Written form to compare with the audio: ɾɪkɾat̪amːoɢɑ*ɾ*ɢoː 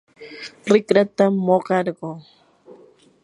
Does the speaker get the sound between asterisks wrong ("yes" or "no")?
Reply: no